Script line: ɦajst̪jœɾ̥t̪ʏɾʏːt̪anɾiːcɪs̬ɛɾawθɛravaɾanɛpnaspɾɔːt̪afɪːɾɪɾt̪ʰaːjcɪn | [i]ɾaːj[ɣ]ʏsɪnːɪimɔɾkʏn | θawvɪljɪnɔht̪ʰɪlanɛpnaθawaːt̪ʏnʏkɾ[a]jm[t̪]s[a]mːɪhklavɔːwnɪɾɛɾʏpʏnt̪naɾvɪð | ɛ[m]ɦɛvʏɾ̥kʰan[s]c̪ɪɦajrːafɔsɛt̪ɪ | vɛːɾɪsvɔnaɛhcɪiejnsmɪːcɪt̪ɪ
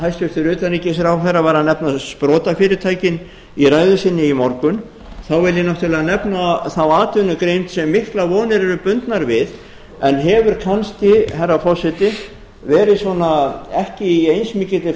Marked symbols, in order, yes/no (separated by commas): yes, no, no, yes, no, no, yes